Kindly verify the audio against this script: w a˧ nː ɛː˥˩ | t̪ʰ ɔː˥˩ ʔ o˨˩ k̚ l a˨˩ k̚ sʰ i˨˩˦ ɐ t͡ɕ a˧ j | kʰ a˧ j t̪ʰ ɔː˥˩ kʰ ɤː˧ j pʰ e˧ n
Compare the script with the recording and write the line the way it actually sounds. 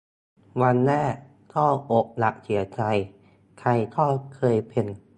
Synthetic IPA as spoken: w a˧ nː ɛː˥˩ | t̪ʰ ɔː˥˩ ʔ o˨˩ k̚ l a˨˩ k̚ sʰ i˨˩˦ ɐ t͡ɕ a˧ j | kʰ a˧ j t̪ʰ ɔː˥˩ kʰ ɤː˧ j pʰ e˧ n